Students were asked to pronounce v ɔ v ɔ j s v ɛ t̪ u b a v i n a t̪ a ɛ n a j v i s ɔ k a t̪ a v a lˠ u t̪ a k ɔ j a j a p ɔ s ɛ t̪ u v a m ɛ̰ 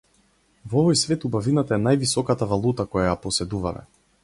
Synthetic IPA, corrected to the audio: v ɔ v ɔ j s v ɛ t̪ u b a v i n a t̪ a ɛ n a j v i s ɔ k a t̪ a v a lˠ u t̪ a k ɔ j a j a p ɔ s ɛ d̪ u v a m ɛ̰